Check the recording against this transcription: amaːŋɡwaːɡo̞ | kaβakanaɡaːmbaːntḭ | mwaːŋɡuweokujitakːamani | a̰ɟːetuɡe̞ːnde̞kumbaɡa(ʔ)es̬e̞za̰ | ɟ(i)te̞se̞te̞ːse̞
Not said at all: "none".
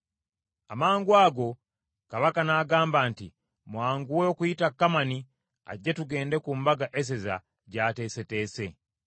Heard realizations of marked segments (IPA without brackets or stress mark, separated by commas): ʔ, a